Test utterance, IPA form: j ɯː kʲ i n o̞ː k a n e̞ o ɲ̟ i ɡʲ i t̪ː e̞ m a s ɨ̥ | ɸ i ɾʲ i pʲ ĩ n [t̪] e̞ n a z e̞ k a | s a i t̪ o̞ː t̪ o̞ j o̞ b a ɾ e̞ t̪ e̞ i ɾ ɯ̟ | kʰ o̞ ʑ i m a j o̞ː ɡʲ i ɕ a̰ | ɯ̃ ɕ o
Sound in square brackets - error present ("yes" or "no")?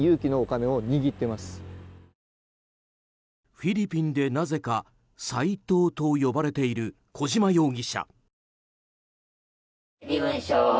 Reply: yes